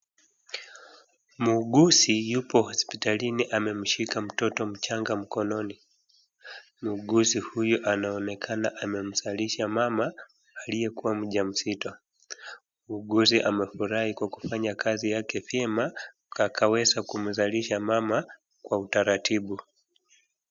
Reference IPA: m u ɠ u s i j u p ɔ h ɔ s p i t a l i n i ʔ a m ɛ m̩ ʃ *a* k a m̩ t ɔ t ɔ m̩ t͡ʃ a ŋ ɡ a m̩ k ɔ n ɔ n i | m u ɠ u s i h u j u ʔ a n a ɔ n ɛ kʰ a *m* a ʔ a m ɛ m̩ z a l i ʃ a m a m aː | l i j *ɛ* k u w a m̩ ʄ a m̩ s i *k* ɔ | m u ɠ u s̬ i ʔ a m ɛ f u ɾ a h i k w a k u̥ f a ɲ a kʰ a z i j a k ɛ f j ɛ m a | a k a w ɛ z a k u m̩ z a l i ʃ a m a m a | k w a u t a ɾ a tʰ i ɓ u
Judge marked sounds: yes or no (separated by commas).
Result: no, no, yes, no